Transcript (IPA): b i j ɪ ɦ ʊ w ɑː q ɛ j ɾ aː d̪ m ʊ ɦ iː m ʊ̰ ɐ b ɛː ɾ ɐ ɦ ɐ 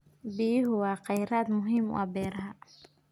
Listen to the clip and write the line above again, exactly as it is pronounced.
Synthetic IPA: b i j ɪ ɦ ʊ w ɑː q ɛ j ɾ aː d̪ m ʊ ɦ iː m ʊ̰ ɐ b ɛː ɾ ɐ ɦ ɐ